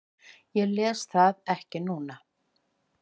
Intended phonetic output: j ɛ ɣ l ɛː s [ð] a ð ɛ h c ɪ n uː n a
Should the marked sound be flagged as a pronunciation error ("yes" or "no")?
yes